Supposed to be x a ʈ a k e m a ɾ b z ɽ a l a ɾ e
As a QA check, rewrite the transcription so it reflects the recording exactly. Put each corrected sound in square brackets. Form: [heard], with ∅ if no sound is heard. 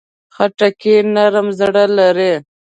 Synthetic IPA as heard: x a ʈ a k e [n] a ɾ [m] z ɽ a l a ɾ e